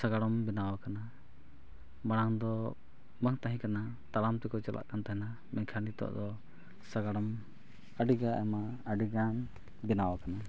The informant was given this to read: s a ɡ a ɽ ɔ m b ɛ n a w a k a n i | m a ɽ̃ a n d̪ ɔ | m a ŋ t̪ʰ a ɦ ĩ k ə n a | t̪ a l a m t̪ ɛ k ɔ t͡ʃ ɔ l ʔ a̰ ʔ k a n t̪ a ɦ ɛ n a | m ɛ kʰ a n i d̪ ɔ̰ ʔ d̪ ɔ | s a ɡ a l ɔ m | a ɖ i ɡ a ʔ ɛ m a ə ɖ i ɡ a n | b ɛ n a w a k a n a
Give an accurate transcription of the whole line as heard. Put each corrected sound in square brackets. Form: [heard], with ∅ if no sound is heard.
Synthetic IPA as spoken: s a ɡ a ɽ ɔ m b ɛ n a w a k a n [a] | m a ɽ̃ a [ŋ] d̪ ɔ | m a ŋ [t̪] a ɦ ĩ k [a] n a | t̪ a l a m t̪ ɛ k ɔ t͡ʃ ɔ l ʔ a̰ ʔ k a n t̪ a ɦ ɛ n a | m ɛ kʰ a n i [t̪] ɔ̰ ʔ d̪ ɔ | s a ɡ a [ɽ] ɔ m | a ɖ i ɡ a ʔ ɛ m a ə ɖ i ɡ a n | b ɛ n a w a k a n a